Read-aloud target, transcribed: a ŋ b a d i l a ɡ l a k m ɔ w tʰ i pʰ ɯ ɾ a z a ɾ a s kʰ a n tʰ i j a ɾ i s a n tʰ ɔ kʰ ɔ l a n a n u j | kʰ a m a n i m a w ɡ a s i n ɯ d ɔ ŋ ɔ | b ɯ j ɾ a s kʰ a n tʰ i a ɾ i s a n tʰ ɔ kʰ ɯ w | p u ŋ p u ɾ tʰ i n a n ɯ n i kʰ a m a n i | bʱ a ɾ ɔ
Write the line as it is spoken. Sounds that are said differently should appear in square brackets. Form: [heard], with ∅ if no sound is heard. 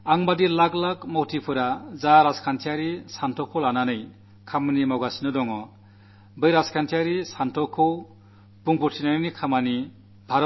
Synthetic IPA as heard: a ŋ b a d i l a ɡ l a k m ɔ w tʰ i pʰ ɯ ɾ a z a ɾ a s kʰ a n tʰ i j a ɾ i s a n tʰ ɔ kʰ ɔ l a n a n [ɯ] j | kʰ a m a n i m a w ɡ a s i n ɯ d ɔ ŋ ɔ | b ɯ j ɾ a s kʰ a n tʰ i a ɾ i s a n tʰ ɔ kʰ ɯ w | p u ŋ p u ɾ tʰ i n a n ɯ n i kʰ a m a n i | bʱ a ɾ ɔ